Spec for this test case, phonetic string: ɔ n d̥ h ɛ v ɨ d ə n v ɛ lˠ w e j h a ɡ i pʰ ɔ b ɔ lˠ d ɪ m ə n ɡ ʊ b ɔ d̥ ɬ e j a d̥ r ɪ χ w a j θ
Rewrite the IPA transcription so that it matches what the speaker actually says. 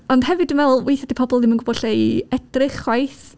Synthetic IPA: ɔ n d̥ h ɛ v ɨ d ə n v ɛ lˠ w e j θ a d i pʰ ɔ b ɔ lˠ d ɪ m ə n ɡ ʊ b ɔ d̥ ɬ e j ɛ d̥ r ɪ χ w a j θ